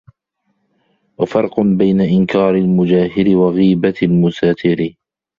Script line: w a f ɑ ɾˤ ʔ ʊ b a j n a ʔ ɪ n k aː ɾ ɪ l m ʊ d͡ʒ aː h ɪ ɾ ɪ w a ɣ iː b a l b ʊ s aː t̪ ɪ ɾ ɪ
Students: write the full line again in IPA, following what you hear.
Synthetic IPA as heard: w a f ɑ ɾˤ q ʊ b a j n a ʔ ɪ n k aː ɾ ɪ l m ʊ d͡ʒ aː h ɪ ɾ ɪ w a ɣ iː b a l m ʊ s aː t̪ ɪ ɾ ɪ